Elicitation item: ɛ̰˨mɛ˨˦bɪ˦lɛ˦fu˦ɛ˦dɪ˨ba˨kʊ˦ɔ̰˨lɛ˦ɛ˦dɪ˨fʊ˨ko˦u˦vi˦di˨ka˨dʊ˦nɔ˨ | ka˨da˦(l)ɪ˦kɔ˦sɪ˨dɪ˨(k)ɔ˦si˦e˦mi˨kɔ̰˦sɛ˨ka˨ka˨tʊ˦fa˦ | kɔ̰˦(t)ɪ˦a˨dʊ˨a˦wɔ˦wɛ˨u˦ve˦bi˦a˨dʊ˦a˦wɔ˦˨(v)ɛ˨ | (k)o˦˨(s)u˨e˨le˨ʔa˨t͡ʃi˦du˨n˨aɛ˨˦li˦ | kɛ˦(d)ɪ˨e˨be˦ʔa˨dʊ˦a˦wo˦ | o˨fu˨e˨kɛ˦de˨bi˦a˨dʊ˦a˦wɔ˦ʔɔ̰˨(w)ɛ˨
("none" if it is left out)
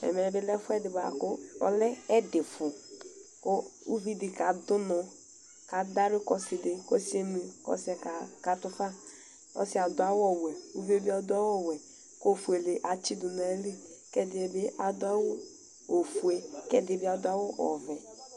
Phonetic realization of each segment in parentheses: ɾ, k, s, w, k, f, d, v

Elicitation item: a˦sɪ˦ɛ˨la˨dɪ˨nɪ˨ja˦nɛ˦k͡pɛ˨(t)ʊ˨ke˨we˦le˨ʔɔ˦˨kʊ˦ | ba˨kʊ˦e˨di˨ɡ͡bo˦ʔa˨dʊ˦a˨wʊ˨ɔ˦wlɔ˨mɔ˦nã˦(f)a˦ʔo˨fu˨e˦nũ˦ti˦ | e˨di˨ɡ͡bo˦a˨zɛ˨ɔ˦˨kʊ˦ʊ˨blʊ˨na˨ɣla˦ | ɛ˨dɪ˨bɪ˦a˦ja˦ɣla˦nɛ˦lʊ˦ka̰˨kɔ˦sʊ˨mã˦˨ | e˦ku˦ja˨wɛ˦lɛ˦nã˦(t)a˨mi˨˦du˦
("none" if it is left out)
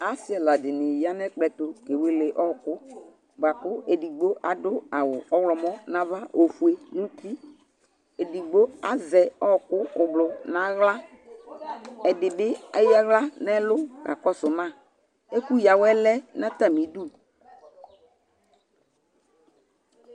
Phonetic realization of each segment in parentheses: t, v, t

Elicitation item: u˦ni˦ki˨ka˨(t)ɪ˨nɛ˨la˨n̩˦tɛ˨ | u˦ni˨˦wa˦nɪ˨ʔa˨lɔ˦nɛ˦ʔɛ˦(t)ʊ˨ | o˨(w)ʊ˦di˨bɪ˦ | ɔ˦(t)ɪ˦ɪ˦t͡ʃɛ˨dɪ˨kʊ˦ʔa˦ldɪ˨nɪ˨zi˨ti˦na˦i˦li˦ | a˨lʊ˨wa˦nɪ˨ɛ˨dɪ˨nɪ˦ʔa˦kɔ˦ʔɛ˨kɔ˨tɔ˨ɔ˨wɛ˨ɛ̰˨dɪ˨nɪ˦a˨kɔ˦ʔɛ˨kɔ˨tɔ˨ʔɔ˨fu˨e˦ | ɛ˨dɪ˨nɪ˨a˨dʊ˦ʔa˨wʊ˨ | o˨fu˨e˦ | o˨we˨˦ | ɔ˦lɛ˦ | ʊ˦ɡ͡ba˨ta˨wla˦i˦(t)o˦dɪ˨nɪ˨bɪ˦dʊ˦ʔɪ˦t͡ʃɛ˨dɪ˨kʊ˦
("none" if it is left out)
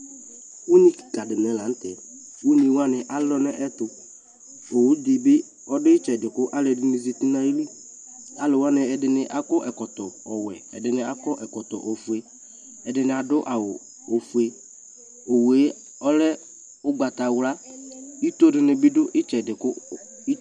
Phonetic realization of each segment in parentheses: d, t, w, d, t

